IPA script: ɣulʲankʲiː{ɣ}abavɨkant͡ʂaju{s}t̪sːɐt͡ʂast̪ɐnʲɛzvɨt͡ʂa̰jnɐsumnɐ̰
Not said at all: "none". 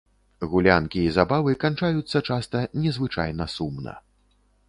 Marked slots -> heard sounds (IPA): z, none

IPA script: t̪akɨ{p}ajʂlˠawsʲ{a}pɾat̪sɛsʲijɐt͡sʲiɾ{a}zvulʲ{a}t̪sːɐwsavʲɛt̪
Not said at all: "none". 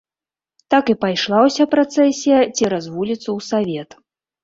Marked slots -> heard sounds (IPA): p, a, a, i

